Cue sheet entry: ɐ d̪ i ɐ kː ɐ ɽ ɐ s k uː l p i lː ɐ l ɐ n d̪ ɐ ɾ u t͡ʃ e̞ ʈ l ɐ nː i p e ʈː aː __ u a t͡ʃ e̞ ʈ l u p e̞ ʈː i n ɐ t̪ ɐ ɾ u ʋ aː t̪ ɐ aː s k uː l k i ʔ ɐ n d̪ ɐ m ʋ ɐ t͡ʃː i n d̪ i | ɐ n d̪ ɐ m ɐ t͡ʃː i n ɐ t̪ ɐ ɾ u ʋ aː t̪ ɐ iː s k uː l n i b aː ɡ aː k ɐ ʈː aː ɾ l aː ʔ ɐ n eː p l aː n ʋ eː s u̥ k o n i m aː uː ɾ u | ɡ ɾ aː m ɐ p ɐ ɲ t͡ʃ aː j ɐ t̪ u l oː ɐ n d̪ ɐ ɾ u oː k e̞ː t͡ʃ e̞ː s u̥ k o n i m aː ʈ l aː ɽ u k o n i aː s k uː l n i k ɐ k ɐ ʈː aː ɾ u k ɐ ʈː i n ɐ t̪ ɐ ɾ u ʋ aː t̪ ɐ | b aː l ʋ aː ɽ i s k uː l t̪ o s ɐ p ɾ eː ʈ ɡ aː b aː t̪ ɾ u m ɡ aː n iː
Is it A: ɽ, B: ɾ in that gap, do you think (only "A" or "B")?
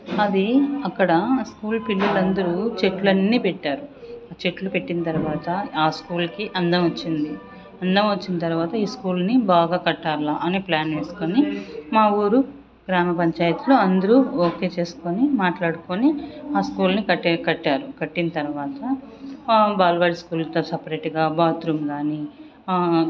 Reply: B